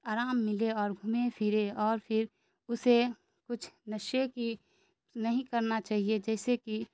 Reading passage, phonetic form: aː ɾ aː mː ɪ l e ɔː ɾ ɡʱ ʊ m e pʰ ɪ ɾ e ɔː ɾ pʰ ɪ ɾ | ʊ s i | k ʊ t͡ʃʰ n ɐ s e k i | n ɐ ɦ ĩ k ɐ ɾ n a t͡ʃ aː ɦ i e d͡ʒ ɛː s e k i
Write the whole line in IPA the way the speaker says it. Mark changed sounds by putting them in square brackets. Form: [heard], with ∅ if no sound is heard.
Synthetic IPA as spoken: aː ɾ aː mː ɪ l e ɔː ɾ ɡʱ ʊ m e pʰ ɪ ɾ e ɔː ɾ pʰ ɪ ɾ | ʊ s [e] | k ʊ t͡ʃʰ n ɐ [ʃ] e k i | n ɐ ɦ ĩ k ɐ ɾ n a t͡ʃ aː ɦ i e d͡ʒ ɛː s e k i

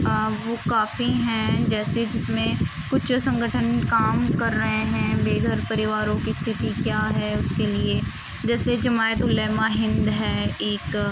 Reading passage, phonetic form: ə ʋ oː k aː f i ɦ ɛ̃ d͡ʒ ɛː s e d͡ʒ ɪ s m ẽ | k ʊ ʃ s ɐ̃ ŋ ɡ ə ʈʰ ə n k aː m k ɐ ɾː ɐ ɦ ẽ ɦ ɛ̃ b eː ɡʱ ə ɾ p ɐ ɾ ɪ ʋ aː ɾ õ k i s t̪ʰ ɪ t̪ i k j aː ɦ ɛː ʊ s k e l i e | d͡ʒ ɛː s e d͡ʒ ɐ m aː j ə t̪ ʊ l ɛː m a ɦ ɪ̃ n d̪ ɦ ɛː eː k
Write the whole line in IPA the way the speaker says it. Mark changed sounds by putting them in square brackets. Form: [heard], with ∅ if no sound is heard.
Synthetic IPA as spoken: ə ʋ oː k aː f i ɦ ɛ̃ d͡ʒ ɛː s e d͡ʒ ɪ s m ẽ | k ʊ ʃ s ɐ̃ ŋ ɡ ə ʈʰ ə n k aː m k ɐ ɾː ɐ ɦ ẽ ɦ ɛ̃ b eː ɡʱ ə ɾ p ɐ ɾ ɪ ʋ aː ɾ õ k i s t̪ʰ ɪ t̪ i k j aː ɦ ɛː ʊ s k e l i e | d͡ʒ ɛː s e d͡ʒ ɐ m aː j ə t̪ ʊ l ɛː m a ɦ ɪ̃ n d̪ ɦ ɛː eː k

